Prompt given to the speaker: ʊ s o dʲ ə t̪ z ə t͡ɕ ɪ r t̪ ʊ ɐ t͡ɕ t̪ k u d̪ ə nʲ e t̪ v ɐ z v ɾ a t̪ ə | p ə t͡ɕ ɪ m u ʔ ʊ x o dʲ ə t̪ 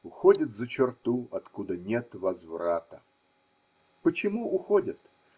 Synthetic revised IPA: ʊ x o dʲ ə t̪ z ə t͡ɕ ɪ r t̪ u ɐ t̪ k u d̪ ə nʲ e t̪ v ɐ z v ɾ a t̪ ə | p ə t͡ɕ ɪ m u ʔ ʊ x o dʲ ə t̪